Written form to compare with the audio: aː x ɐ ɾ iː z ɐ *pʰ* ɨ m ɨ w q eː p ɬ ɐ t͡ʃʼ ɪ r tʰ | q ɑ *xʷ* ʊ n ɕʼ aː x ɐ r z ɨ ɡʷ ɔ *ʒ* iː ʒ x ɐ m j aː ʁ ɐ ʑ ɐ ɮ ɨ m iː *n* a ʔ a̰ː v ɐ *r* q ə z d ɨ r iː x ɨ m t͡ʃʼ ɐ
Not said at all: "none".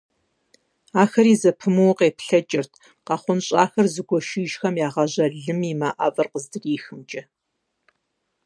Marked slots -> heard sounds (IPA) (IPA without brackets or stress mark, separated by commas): pʰ, χʷ, ʃ, m, r